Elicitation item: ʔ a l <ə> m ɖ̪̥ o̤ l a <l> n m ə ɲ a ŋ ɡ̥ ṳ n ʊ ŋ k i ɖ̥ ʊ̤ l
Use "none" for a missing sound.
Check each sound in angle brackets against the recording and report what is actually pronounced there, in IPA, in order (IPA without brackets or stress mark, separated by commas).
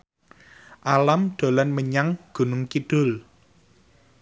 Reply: a, none